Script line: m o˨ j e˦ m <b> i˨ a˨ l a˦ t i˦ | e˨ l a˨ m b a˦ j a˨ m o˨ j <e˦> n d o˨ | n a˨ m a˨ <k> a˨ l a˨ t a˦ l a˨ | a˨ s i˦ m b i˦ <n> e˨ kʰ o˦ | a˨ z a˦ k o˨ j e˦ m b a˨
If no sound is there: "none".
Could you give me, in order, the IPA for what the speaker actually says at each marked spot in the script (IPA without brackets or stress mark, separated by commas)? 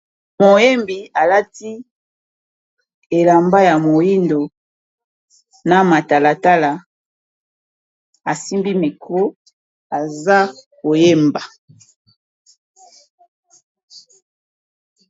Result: b, i˦, t, m